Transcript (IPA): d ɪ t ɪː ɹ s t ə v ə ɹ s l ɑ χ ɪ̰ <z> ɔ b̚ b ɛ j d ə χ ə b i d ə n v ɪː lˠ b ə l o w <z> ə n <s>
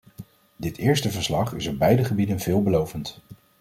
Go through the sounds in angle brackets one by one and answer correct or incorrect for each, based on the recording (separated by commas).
incorrect, incorrect, incorrect